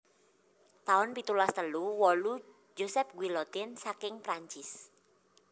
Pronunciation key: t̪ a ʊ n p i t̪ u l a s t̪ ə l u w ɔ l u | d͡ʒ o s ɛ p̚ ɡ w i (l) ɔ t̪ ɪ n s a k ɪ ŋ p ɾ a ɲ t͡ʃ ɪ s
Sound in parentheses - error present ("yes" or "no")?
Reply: no